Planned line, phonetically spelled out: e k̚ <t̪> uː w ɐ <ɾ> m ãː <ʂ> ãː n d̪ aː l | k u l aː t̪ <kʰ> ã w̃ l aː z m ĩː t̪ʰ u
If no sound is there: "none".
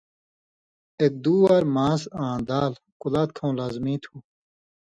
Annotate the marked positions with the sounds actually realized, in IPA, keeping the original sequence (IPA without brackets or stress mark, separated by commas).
d̪, ɾ, s, kʰ